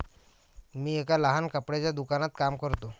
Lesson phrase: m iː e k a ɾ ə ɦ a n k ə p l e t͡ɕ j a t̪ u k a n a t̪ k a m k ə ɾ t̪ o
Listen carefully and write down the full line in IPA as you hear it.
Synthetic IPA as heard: m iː e k a l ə ɦ a n k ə p ɽ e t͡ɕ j a d̪ u k a n a t̪ k a m k ə ɾ t̪ o